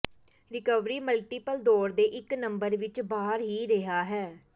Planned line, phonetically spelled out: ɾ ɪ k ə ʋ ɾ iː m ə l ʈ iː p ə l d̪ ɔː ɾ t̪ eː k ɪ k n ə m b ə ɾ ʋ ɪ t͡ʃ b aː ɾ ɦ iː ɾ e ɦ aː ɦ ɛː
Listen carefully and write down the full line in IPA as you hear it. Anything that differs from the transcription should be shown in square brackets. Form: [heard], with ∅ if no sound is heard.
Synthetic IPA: ɾ ɪ k ə ʋ ɾ iː m ə l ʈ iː p ə l d̪ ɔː ɾ [d̪] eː [ʔ] ɪ k n ə m b ə ɾ ʋ ɪ t͡ʃ b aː ɾ ɦ iː ɾ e ɦ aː ɦ ɛː